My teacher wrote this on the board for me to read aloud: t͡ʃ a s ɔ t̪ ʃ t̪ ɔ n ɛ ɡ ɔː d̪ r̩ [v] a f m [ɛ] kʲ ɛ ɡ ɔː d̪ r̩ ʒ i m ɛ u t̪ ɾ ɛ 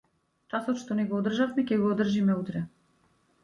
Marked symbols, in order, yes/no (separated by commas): no, yes